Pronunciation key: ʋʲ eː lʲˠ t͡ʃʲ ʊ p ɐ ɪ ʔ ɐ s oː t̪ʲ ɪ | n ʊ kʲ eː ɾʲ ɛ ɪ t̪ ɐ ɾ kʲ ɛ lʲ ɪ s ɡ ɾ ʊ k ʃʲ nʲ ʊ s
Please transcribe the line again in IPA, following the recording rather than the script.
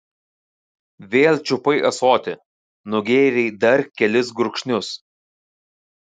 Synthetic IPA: ʋʲ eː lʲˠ t͡ʃʲ ʊ p ɐ ɪ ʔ ɐ s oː t̪ʲ ɪ | n ʊ ɡʲ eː ɾʲ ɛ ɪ d̪ ɐ ɾ kʲ ɛ lʲ ɪ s ɡ ɾ ʊ k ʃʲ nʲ ʊ s